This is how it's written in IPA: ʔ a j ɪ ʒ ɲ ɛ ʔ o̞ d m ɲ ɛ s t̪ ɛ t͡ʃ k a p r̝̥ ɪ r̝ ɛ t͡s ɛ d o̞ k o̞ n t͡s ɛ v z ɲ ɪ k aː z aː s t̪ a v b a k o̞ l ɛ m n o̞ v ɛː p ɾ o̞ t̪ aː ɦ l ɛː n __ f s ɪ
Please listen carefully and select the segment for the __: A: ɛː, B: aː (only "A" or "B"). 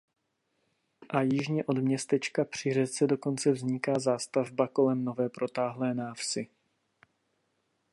B